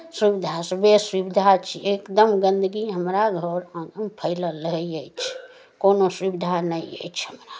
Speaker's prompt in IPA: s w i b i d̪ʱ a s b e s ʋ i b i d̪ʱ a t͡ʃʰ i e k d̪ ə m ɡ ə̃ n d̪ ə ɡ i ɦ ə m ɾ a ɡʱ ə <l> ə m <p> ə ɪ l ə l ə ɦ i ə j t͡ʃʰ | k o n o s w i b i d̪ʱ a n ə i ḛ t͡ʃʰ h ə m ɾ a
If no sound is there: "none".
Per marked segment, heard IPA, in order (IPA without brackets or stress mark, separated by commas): ɾ, pʰ